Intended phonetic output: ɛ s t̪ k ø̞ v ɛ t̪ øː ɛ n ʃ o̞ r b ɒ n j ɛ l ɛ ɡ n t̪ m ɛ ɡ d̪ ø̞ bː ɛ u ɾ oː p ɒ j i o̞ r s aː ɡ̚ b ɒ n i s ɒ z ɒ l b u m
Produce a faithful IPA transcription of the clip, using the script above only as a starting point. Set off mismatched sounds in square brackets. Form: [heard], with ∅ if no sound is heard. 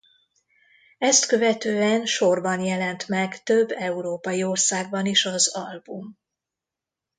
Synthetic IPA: ɛ s t̪ k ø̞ v ɛ t̪ øː ɛ n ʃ o̞ r b ɒ n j ɛ l ɛ [∅] n t̪ m ɛ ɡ [t̪] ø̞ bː ɛ u ɾ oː p ɒ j i o̞ r s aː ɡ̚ b ɒ n i [ʃ] ɒ z ɒ l b u m